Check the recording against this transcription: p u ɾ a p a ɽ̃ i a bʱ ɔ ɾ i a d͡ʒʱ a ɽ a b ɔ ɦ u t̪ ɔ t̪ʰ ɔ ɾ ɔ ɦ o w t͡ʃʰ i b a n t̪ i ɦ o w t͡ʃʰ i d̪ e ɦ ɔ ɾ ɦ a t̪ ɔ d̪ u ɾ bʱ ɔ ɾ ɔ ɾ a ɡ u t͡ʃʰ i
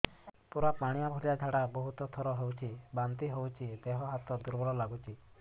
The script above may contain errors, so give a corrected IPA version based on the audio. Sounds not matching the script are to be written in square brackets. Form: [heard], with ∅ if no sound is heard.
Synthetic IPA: p u ɾ a p a ɽ̃ i a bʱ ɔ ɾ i a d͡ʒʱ a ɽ a b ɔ ɦ u t̪ ɔ t̪ʰ ɔ ɾ ɔ ɦ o w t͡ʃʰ i b a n t̪ i ɦ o w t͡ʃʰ i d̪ e ɦ ɔ [∅] ɦ a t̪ ɔ d̪ u ɾ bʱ ɔ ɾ ɔ [l] a ɡ u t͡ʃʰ i